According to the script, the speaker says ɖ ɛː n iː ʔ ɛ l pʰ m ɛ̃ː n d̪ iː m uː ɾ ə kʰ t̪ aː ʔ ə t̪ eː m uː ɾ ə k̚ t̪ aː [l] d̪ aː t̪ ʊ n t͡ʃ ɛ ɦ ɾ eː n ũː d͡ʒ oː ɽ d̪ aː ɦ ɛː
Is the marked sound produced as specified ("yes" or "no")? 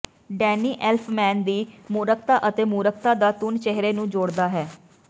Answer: no